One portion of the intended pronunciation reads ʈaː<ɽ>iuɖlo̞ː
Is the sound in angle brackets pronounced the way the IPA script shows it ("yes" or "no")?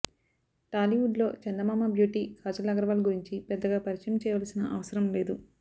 no